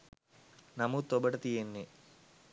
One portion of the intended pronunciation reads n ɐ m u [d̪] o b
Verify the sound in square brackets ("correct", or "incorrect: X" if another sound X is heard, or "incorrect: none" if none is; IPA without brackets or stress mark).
incorrect: t̪